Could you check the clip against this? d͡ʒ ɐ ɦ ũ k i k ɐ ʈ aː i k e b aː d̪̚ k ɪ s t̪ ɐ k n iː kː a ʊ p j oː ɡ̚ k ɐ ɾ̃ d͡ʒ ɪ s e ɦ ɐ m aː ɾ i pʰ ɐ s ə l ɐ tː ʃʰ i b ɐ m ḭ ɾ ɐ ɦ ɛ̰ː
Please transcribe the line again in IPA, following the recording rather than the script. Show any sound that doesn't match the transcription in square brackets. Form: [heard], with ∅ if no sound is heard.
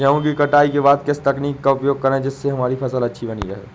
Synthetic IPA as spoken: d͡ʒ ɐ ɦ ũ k i k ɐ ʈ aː i k e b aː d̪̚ k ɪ s t̪ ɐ k n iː kː a ʊ p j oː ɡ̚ k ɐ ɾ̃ d͡ʒ ɪ [sː] e ɦ ɐ m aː ɾ i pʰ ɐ s ə l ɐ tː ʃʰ i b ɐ [n] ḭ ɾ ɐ ɦ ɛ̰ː